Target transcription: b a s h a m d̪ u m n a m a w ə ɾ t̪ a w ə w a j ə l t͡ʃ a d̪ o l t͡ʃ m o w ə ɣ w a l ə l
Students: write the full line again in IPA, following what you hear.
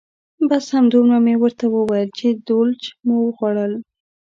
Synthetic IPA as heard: b a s h a m d̪ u m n a m e w ə ɾ t̪ a w ə w a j ə l t͡ʃ e d̪ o l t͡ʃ m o w ə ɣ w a ɽ ə l